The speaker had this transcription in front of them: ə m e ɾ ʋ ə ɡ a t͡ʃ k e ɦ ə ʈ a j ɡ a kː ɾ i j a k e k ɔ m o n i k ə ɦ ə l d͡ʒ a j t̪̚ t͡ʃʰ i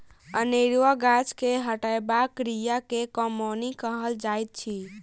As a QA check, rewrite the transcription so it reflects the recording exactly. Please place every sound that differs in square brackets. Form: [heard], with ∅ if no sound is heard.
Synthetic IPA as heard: ə [n] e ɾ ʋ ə ɡ a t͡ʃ k e ɦ ə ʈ a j [b] a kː ɾ i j a k e k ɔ m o n i k ə ɦ ə l d͡ʒ a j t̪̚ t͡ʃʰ i